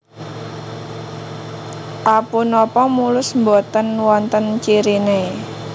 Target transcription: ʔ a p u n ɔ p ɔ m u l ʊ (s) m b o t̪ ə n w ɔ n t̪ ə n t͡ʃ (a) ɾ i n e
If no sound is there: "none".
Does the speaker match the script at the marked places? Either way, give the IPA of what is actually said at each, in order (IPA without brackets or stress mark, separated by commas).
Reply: s, i